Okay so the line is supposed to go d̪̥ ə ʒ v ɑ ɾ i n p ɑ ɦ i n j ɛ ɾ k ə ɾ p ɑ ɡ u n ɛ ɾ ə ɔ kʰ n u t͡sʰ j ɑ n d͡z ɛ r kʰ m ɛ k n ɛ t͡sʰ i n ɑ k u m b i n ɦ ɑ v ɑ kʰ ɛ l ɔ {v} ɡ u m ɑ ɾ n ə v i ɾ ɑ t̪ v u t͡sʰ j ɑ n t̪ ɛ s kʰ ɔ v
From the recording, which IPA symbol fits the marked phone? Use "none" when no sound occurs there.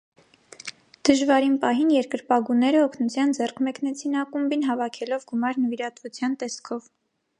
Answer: v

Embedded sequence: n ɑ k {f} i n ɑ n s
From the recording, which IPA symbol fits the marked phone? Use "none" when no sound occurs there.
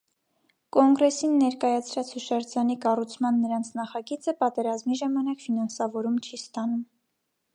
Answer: f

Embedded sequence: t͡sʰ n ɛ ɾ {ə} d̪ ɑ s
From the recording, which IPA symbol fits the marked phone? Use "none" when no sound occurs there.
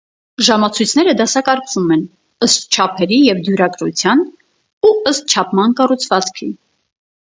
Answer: ə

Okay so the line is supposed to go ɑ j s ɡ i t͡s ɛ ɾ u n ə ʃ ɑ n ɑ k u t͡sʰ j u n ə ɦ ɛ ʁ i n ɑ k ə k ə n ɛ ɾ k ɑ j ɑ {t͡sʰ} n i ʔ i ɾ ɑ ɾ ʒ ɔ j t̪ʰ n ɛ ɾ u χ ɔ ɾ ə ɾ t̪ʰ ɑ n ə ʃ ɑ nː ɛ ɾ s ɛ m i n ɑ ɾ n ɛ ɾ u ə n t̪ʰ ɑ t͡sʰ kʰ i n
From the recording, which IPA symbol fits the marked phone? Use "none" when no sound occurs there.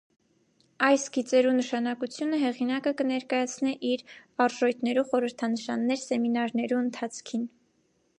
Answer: t͡sʰ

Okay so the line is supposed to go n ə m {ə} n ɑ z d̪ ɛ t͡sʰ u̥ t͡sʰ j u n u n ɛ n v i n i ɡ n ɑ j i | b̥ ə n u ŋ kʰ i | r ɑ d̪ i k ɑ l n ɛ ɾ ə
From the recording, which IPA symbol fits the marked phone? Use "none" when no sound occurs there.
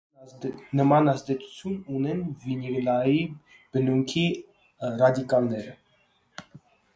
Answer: ɑ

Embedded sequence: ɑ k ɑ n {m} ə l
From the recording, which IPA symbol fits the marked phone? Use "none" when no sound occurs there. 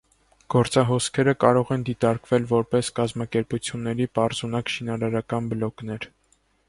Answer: b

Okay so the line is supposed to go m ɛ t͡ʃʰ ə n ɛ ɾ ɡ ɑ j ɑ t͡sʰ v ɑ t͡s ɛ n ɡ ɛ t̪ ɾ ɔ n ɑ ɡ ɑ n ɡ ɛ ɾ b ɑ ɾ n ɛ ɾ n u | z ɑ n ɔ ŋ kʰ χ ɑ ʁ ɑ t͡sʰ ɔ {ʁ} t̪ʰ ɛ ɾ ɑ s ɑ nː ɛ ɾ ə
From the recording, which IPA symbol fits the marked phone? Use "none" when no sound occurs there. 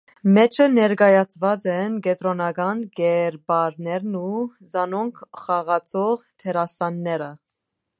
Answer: ʁ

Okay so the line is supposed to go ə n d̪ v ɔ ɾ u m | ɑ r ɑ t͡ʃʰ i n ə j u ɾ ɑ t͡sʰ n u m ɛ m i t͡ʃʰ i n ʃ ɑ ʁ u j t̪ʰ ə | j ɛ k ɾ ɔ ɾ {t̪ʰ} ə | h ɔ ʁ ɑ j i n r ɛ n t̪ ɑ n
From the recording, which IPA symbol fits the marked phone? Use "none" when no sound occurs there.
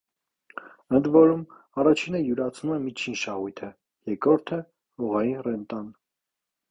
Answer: t̪ʰ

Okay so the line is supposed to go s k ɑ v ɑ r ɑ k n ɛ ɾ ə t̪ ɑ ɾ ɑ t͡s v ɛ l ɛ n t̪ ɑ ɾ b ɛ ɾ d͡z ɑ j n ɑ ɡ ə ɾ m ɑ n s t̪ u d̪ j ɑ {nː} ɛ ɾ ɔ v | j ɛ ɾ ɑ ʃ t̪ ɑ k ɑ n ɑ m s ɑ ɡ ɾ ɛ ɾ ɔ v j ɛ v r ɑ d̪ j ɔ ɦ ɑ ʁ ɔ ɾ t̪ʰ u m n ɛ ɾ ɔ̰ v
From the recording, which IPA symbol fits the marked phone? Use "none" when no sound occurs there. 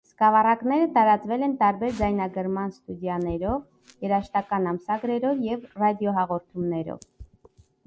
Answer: n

